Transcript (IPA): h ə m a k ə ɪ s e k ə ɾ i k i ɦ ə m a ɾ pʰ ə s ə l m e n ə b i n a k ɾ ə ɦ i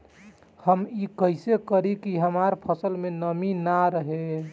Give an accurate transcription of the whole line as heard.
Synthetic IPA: h ə m i k ə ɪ s e k ə ɾ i k i ɦ ə m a ɾ pʰ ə s ə l m e n ə m i n a ɾ ə ɦ e